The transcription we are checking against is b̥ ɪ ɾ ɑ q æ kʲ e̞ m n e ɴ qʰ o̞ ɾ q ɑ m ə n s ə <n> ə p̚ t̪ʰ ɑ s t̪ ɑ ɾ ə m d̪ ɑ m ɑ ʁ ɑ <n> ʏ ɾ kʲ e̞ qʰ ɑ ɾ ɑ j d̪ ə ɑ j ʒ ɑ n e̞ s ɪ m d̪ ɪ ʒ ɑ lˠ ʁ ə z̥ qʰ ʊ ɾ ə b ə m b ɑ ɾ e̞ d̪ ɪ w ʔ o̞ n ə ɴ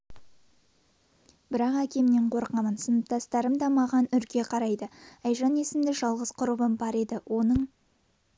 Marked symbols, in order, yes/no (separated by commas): yes, yes